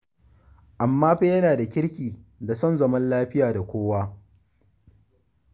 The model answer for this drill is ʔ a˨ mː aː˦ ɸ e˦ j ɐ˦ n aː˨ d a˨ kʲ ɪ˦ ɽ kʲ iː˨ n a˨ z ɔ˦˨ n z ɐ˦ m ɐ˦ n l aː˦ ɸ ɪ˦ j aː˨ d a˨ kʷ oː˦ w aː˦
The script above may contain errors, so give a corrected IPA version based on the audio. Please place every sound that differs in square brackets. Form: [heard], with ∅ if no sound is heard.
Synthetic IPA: ʔ a˨ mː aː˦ ɸ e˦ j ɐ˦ n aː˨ d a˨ kʲ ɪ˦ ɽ kʲ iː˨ [d] a˨ [s] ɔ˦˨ n z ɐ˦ m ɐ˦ n l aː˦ ɸ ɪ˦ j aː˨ d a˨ kʷ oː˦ w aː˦